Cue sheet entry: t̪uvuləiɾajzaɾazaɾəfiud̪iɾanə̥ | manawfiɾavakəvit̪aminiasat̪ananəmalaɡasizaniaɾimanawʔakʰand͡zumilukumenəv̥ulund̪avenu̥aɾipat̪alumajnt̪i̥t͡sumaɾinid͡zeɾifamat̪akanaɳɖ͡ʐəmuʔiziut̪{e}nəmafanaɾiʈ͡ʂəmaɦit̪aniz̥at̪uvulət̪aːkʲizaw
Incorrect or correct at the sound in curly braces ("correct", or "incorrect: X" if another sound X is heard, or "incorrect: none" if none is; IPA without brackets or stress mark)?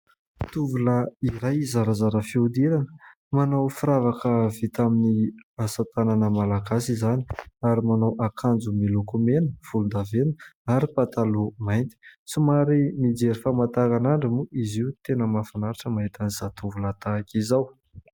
correct